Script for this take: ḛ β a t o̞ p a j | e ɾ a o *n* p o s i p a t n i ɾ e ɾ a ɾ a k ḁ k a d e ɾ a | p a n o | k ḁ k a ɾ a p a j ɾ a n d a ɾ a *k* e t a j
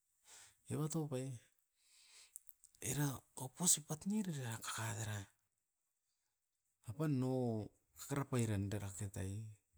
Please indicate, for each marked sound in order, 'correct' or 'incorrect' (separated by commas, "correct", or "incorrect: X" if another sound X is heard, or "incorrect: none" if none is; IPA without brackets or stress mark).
incorrect: none, correct